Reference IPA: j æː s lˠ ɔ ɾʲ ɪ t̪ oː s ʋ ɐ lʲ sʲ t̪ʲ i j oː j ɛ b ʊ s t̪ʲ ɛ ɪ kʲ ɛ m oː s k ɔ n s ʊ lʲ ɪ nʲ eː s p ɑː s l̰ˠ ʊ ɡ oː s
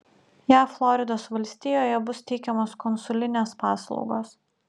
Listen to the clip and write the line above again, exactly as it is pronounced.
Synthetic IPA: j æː f lˠ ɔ ɾʲ ɪ d̪ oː s ʋ ɐ lʲ sʲ t̪ʲ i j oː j ɛ b ʊ s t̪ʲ ɛ ɪ kʲ ɛ m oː s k ɔ n s ʊ lʲ ɪ nʲ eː s p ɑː s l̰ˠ ʊ ɡ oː s